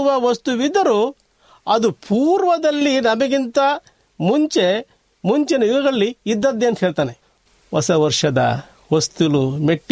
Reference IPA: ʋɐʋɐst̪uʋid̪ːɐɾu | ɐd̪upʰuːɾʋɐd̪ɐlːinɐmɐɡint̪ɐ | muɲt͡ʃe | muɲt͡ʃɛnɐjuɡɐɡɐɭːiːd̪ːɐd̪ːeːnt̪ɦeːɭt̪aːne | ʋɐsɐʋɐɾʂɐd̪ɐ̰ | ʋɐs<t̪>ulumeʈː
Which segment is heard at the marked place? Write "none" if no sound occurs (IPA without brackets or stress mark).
t̪